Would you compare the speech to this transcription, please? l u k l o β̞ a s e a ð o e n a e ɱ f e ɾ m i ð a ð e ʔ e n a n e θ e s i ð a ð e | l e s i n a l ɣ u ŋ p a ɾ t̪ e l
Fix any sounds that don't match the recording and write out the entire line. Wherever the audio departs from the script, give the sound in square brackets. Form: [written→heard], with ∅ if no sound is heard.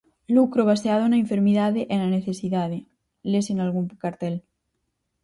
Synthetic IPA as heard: l u k [l→ɾ] o β̞ a s e a ð o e n a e ɱ f e ɾ m i ð a ð e ʔ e n a n e θ e s i ð a ð e | l e s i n a l ɣ u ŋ [p→k] a ɾ t̪ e l